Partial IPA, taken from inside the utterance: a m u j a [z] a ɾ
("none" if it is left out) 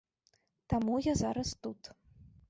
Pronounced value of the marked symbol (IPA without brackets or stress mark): z